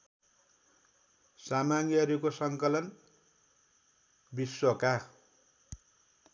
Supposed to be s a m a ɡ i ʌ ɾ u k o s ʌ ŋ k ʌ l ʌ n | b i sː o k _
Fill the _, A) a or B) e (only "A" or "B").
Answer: A